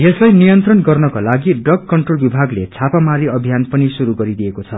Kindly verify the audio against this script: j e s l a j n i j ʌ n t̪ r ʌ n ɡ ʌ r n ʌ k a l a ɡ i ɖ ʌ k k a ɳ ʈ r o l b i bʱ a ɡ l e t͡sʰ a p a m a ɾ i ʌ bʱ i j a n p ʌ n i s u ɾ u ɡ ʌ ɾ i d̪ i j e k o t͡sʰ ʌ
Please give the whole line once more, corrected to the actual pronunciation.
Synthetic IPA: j e s l a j n i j ʌ n t̪ r ʌ n ɡ ʌ r n ʌ k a l a ɡ i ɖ ʌ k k ʌ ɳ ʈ r o l b i bʱ a ɡ l e t͡sʰ a p a m a ɾ i ʌ bʱ i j a n p ʌ n i s u ɾ u ɡ ʌ ɾ i d̪ i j e k o t͡sʰ ʌ